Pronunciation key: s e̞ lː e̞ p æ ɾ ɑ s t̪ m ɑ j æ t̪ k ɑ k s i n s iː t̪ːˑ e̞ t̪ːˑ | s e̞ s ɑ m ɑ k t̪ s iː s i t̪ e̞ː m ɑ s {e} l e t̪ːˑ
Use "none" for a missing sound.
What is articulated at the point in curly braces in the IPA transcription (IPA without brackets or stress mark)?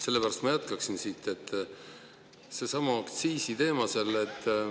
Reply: e